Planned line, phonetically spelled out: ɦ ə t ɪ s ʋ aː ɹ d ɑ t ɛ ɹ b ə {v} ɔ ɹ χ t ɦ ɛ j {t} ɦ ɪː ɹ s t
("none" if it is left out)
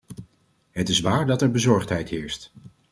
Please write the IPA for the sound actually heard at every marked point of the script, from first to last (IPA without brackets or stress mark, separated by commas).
z, t